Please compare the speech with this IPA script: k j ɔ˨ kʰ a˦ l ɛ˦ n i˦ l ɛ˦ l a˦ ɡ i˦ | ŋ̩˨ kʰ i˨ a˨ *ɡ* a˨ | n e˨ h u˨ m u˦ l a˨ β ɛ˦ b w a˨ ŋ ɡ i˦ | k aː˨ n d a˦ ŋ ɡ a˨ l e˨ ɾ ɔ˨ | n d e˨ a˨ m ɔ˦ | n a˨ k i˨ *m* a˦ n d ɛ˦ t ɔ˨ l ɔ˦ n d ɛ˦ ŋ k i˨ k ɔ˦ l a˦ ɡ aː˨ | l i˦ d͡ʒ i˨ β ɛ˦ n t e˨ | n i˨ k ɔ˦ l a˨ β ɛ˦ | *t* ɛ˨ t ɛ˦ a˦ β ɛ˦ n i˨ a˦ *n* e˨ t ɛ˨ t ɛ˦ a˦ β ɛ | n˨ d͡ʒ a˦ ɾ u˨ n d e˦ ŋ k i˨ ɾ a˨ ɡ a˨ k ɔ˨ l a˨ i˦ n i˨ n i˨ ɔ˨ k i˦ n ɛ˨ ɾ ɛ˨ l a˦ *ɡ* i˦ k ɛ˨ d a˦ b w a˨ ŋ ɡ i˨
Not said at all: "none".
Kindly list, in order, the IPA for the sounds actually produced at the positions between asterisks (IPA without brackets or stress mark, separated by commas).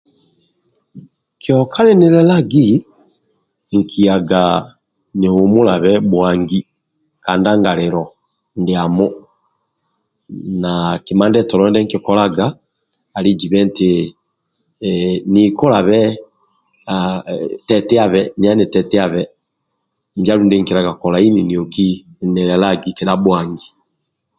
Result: ɡ, m, t, n, ɡ